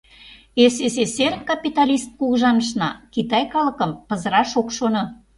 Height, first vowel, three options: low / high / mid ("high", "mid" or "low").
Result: mid